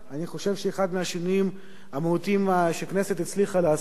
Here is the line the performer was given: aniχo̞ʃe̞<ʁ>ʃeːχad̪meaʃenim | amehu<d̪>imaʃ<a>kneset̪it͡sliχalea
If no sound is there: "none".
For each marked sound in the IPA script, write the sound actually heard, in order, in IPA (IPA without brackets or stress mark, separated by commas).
v, t̪, e